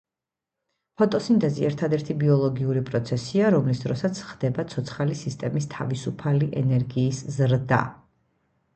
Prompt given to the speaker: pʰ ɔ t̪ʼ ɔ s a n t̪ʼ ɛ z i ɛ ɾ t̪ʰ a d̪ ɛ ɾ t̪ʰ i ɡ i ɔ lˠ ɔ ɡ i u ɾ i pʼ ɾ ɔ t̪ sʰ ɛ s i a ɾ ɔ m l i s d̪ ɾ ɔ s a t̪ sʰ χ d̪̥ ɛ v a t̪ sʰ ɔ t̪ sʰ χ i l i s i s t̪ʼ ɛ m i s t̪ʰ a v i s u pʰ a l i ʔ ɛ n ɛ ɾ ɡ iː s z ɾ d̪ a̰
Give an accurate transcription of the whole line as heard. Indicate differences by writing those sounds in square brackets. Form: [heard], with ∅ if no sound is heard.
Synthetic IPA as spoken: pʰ ɔ t̪ʼ ɔ s [i] n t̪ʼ ɛ z i ɛ ɾ t̪ʰ a d̪ ɛ ɾ t̪ʰ i [b] i ɔ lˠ ɔ ɡ i u ɾ i pʼ ɾ ɔ t̪ sʰ ɛ s i a ɾ ɔ m l i s d̪ ɾ ɔ s a t̪ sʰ χ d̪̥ ɛ [b] a t̪ sʰ ɔ t̪ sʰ χ [a] l i s i s t̪ʼ ɛ m i s t̪ʰ a v i s u pʰ a l i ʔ ɛ n ɛ ɾ ɡ iː s z ɾ d̪ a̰